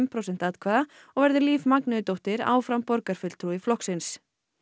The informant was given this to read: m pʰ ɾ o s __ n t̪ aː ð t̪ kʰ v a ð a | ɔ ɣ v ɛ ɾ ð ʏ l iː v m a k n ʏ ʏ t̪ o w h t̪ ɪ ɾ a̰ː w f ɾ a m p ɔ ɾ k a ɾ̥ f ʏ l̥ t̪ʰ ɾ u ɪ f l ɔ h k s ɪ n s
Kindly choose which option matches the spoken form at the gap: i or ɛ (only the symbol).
ɛ